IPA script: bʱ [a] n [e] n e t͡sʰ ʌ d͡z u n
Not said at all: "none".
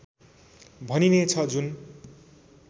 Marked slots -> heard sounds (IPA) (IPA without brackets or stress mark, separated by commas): ʌ, i